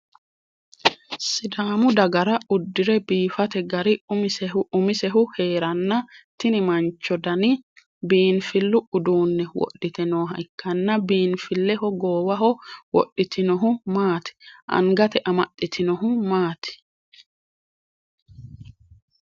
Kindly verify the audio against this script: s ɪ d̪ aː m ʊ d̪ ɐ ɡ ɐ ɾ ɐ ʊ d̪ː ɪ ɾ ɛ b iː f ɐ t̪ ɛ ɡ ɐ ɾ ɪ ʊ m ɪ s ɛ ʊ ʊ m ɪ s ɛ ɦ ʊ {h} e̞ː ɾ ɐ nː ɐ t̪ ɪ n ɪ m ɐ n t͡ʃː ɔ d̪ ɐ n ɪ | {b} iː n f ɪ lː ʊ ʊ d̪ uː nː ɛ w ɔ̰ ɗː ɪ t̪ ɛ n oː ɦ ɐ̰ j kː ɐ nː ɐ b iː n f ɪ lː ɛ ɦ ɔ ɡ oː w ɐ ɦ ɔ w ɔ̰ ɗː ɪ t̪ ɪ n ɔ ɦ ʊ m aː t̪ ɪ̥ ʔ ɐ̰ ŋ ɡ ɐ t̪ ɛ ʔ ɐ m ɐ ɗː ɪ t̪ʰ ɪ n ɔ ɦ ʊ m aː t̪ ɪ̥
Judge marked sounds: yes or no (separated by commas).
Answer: yes, yes